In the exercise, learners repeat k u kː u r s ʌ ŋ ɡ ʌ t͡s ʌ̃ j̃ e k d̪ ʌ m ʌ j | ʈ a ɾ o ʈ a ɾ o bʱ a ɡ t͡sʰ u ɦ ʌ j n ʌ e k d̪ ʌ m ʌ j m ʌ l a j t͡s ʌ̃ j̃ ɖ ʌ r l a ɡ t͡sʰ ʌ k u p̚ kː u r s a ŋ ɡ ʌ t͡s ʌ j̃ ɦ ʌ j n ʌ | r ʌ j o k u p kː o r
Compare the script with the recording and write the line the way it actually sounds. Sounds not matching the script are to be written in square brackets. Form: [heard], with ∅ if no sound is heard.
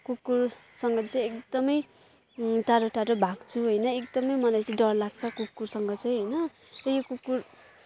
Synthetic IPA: k u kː u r s ʌ ŋ ɡ ʌ t͡s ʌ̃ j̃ e k d̪ ʌ m ʌ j | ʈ a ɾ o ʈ a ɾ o bʱ a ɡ t͡sʰ u ɦ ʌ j n ʌ e k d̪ ʌ m ʌ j m ʌ l a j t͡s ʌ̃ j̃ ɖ ʌ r l a ɡ t͡sʰ ʌ k u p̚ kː u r s [ʌ] ŋ ɡ ʌ t͡s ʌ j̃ ɦ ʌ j n ʌ | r ʌ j o k u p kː [u] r